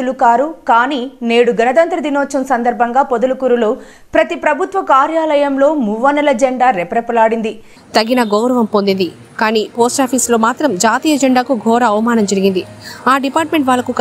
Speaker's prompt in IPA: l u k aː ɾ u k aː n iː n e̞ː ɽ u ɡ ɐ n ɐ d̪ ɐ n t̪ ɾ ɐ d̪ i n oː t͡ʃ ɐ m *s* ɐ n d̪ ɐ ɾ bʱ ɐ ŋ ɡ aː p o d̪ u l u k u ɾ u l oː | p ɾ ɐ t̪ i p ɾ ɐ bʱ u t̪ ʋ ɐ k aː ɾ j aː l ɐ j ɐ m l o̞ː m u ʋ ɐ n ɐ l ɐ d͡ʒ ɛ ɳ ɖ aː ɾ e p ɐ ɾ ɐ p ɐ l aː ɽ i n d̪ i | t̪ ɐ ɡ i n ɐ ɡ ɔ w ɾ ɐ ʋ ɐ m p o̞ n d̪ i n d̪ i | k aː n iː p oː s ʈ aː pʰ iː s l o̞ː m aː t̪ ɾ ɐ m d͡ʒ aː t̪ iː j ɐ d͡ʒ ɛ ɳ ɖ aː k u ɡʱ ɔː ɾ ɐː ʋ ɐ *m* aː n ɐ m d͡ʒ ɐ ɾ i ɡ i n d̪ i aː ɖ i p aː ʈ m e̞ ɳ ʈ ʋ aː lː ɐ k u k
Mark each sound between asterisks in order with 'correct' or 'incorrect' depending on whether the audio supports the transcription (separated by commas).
correct, correct